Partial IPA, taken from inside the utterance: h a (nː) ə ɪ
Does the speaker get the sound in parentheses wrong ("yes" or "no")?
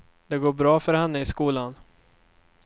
no